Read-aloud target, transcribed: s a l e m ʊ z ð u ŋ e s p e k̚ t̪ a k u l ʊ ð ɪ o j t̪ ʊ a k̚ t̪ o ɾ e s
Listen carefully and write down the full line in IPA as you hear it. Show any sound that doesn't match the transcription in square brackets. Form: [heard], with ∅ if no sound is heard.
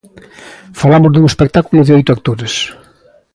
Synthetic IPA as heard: [f] a l [a] m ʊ z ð u ŋ e s p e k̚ t̪ a k u l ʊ ð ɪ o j t̪ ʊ a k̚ t̪ o ɾ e s